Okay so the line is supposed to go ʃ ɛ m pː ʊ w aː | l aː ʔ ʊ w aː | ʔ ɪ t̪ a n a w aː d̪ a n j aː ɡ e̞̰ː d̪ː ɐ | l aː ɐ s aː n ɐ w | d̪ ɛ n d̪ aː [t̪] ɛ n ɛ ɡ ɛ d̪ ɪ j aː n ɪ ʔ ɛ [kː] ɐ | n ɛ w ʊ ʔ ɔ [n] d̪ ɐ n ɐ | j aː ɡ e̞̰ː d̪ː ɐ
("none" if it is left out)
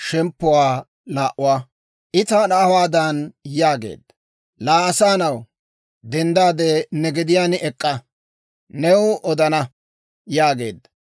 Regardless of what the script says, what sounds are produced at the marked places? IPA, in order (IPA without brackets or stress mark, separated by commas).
d̪, kʼː, none